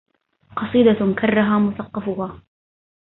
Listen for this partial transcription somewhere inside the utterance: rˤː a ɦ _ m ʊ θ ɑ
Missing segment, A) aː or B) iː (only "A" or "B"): A